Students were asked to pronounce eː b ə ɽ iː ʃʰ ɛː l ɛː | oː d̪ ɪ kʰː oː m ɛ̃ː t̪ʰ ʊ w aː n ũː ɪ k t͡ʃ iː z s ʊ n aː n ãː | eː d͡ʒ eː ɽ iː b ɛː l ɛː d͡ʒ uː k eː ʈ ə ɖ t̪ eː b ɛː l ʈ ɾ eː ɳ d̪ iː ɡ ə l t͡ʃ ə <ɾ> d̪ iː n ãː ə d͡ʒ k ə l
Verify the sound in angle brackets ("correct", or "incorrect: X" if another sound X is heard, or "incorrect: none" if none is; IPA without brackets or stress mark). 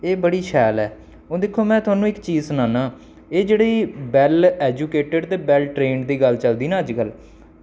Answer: incorrect: l